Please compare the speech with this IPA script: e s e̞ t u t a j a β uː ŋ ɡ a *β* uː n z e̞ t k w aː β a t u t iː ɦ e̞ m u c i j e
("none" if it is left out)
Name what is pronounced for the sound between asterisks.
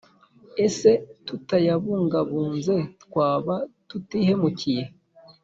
β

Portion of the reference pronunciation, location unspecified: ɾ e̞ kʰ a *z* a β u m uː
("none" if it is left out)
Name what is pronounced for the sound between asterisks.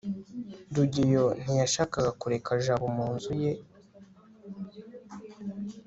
ʒ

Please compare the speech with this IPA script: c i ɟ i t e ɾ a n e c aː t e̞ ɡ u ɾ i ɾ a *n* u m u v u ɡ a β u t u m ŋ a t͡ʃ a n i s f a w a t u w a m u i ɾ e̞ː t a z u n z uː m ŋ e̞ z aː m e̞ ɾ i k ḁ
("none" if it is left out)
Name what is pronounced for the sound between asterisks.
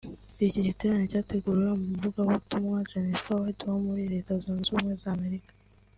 m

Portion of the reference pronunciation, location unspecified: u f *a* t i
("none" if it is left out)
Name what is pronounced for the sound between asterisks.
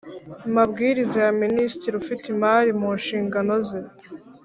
i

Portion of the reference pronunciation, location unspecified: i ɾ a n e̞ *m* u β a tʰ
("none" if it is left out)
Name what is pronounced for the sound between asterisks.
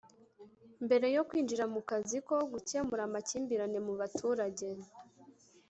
m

